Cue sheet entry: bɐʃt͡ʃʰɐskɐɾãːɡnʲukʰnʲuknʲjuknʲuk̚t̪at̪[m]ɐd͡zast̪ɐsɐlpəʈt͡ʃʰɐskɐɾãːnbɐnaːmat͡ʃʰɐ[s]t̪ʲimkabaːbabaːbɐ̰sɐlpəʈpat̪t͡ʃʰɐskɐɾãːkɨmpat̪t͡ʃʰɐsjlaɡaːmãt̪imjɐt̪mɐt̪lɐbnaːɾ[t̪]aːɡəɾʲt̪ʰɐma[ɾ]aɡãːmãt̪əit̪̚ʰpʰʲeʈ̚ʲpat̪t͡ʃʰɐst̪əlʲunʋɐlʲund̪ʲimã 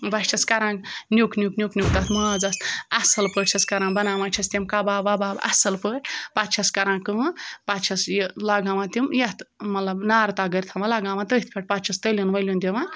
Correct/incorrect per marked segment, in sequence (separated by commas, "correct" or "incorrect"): correct, correct, correct, incorrect